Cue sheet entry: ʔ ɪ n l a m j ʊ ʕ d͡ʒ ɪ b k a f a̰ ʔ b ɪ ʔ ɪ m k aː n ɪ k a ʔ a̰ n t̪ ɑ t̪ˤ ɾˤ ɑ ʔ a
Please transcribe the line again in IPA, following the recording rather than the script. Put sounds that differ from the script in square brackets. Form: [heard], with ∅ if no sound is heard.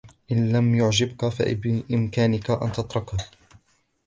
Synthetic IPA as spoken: ʔ ɪ n l a m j ʊ ʕ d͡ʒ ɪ b k a f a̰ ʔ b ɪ ʔ ɪ m k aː n ɪ k a ʔ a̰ n t̪ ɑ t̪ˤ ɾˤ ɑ [k] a